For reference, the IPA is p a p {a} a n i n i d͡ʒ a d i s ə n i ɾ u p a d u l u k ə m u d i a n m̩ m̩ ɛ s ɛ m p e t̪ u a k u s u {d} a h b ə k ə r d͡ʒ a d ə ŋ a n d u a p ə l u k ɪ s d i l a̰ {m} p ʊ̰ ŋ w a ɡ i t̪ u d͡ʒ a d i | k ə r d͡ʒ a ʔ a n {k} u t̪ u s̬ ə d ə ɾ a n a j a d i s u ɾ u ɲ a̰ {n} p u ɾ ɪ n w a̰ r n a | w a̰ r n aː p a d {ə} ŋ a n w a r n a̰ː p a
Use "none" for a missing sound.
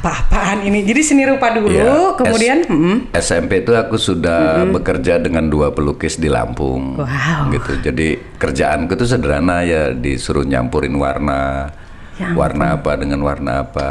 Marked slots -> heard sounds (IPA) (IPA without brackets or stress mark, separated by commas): a, d, m, k, m, ə